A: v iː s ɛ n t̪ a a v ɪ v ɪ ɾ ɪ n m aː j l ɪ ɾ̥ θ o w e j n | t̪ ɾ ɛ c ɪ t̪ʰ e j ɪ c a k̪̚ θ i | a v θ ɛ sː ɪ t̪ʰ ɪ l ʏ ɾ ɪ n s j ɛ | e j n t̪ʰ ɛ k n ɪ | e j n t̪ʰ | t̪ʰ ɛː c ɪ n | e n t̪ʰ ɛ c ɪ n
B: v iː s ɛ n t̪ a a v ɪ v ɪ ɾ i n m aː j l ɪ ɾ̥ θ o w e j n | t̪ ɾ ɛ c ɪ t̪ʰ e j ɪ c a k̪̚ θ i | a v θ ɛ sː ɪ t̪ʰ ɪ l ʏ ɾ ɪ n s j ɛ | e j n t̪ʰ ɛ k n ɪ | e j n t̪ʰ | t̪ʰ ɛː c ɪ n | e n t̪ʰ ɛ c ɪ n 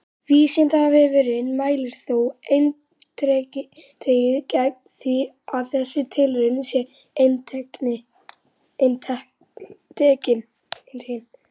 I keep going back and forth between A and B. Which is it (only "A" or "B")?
A